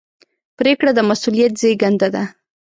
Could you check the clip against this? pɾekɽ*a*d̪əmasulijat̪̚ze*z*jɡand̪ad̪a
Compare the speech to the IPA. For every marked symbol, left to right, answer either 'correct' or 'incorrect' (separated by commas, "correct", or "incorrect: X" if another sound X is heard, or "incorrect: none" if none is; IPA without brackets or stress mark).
correct, incorrect: none